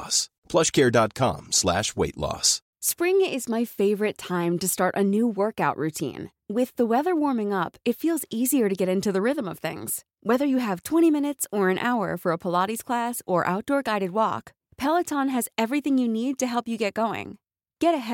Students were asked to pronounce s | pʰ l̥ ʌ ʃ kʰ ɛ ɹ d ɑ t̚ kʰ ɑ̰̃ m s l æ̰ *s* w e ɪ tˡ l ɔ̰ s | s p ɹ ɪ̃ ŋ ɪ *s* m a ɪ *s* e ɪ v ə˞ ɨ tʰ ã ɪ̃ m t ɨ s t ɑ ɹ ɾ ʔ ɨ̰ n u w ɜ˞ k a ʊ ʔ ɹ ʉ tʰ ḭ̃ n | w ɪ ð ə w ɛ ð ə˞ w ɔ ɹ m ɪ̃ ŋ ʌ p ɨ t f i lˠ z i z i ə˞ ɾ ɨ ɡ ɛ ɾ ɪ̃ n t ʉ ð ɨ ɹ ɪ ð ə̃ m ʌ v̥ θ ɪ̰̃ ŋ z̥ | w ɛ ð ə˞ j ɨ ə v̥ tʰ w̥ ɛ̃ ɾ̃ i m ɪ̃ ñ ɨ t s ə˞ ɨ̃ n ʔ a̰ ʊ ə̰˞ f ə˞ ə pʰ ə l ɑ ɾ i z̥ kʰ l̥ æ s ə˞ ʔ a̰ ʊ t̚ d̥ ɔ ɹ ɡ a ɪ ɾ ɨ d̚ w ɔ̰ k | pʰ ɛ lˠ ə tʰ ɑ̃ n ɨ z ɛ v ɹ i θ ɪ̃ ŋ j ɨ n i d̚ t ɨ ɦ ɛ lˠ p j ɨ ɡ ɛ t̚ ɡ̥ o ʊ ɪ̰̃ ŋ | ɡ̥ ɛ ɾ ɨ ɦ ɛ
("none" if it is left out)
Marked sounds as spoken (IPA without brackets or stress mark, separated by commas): ʃ, z, f